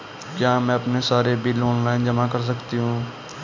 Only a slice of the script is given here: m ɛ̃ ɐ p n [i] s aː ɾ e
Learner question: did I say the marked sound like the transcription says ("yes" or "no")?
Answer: no